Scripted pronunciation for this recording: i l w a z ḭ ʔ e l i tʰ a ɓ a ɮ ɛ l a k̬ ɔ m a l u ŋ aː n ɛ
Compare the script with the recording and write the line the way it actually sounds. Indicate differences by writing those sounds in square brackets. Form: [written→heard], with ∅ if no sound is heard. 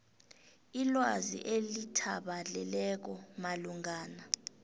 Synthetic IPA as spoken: i l w a z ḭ ʔ e l i tʰ a ɓ a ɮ ɛ l [a→ɛ] k̬ ɔ m a l u ŋ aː n [ɛ→a]